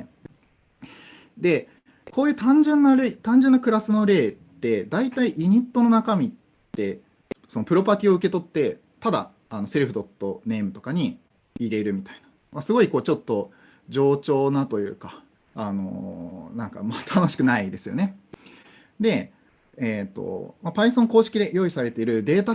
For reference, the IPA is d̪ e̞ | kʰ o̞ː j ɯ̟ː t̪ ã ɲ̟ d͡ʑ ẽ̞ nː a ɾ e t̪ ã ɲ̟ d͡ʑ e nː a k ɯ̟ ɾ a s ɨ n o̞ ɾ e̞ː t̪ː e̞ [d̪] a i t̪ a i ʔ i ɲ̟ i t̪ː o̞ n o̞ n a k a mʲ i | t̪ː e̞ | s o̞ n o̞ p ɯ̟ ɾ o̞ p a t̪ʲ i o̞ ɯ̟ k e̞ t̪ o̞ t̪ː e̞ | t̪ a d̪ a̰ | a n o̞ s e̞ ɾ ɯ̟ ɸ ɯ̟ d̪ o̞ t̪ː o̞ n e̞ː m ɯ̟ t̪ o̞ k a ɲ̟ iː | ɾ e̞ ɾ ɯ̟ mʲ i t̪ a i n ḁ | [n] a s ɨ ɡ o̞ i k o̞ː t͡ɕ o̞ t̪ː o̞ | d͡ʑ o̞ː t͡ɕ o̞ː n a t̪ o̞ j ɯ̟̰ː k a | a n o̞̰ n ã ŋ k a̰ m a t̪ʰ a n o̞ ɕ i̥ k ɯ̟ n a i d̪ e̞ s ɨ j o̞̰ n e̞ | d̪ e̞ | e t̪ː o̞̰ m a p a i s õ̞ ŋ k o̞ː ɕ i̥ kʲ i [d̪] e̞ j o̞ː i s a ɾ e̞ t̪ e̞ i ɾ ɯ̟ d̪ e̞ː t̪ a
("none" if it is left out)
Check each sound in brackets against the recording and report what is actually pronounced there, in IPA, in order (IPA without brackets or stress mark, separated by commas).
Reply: d̪, m, d̪